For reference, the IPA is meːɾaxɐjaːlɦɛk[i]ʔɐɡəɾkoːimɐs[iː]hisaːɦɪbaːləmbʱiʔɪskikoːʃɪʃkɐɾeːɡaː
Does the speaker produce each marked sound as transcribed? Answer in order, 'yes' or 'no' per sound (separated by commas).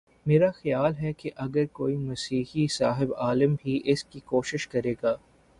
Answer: no, yes